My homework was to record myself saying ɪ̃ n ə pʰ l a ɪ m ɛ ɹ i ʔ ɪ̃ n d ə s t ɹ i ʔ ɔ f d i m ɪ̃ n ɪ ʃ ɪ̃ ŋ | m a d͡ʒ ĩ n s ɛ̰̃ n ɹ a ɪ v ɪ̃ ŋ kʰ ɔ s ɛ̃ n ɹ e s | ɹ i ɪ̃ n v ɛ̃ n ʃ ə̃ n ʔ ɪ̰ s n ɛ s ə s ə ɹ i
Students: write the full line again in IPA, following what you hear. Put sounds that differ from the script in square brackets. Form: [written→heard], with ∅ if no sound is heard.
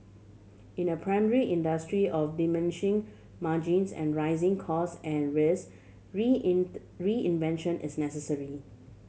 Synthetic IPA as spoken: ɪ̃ n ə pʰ [l→ɹ] a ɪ m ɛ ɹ i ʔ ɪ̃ n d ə s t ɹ i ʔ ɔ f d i m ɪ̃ n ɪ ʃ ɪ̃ ŋ | m a d͡ʒ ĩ n s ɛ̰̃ n ɹ a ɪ [v→z] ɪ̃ ŋ kʰ ɔ s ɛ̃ n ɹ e s | ɹ i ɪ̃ n v ɛ̃ n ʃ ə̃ n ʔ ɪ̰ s n ɛ s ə s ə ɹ i